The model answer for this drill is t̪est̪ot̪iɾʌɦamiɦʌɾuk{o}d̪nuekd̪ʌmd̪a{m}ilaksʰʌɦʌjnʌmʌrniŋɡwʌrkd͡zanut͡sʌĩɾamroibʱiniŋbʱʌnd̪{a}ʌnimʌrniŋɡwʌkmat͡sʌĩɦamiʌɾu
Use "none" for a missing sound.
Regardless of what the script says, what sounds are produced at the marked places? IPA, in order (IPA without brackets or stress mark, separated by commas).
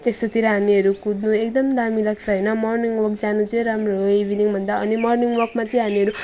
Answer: u, m, a